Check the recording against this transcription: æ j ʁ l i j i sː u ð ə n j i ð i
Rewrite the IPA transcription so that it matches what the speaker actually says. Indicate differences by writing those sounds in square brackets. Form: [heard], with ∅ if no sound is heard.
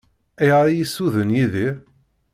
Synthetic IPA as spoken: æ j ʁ [ɾ] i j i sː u ð ə n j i ð i

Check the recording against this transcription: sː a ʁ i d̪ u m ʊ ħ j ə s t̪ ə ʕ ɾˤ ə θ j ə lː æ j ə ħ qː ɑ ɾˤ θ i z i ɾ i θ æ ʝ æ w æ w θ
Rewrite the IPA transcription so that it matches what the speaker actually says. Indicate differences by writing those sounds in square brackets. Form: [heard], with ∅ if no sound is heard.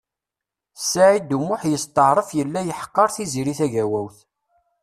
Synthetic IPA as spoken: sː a [ʕ] i d̪ u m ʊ ħ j ə s t̪ ə ʕ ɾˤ ə [f] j ə lː æ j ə ħ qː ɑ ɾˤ θ i z i ɾ i θ æ ʝ æ w æ w θ

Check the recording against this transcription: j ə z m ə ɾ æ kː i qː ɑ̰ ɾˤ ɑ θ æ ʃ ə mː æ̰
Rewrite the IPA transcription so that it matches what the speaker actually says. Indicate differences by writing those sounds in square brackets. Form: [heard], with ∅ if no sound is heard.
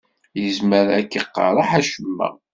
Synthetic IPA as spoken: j ə z m ə ɾ æ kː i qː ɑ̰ ɾˤ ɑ [ħ] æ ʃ ə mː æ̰

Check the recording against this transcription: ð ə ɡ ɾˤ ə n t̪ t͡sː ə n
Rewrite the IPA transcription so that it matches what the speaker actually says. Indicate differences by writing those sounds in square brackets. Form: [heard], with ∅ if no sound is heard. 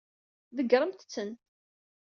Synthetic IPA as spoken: ð ə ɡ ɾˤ ə [m] t̪ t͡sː ə n

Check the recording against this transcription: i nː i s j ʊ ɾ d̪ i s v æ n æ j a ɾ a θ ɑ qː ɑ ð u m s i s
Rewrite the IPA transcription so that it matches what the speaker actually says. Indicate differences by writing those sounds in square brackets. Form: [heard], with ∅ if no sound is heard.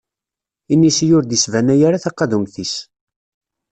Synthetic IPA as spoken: i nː i s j ʊ ɾ d̪ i s v æ n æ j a ɾ a θ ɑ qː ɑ ð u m [θ] i s

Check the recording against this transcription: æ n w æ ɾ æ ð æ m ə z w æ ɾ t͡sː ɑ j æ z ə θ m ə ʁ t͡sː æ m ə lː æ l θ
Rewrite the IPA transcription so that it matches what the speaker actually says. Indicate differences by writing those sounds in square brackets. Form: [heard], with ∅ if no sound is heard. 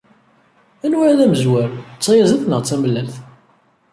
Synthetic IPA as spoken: æ n w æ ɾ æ ð æ m ə z w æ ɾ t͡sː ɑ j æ z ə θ [n] ə ʁ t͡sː æ m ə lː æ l θ

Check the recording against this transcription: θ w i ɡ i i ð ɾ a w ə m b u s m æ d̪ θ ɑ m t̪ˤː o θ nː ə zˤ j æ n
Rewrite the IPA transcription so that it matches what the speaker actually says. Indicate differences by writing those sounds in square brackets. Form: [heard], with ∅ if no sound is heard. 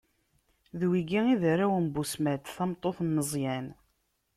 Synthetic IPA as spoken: [ð] w i ɡ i i ð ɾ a w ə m b u s m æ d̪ θ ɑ m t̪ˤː o θ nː ə zˤ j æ n

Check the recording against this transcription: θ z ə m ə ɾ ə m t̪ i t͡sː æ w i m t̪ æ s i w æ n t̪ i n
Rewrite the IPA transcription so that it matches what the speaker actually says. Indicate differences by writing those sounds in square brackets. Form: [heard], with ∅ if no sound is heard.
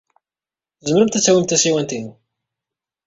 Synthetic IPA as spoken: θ z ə m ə ɾ ə m t̪ [æ] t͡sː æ w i m t̪ æ s i w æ n t̪ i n

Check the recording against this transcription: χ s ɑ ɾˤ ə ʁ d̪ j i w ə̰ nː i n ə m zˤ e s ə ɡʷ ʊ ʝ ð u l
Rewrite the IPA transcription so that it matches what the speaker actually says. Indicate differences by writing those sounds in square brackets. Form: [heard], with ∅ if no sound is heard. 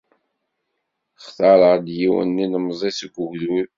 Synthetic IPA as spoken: χ [θ] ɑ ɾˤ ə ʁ d̪ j i w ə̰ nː i n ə m zˤ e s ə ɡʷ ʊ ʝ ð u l

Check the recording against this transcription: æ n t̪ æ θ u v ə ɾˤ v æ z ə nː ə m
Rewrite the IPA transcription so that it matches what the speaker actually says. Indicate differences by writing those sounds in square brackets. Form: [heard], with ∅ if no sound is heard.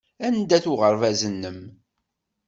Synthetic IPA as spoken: æ n [d̪] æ θ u [ʁ] ə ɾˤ v æ z ə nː ə m

